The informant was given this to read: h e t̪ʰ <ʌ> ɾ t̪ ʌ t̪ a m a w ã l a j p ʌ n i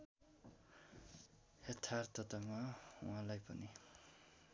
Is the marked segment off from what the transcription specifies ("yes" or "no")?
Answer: yes